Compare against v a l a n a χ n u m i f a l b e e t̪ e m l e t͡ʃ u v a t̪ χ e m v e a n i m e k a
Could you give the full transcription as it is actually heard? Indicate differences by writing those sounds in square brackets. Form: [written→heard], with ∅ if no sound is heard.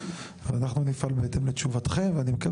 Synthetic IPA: v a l a n a χ n u [m→n] i f a l b e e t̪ e m l e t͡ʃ u v a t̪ χ e m v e a n i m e k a